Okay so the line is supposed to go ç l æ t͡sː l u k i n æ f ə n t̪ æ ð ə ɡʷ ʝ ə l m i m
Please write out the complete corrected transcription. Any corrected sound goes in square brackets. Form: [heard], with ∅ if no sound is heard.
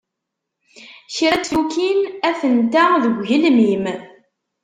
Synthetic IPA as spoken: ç [ɾ] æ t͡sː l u k i n æ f ə n t̪ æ ð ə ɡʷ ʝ ə l m i m